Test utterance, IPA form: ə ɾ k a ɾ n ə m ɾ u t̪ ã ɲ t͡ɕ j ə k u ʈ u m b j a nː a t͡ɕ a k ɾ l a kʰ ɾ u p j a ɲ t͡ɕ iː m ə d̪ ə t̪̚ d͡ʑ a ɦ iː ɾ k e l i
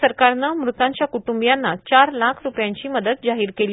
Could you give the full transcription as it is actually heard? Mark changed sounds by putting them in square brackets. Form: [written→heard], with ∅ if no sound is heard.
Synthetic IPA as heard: ə ɾ k a ɾ n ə m ɾ u t̪ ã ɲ t͡ɕ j [ə→a] k u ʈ u m b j a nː a t͡ɕ a [k→∅] ɾ l a kʰ ɾ u p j a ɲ t͡ɕ iː m ə d̪ ə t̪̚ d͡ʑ a ɦ iː ɾ k e l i